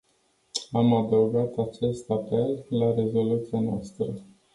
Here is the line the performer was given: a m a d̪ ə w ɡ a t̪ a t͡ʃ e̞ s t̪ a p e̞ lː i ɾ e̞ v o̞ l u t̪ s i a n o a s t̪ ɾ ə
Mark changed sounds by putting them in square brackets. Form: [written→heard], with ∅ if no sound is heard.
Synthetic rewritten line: a m a d̪ ə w ɡ a t̪ a t͡ʃ e̞ s t̪ a p e̞ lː [i→a] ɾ e̞ [v→z] o̞ l u t̪ s i a n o a s t̪ ɾ ə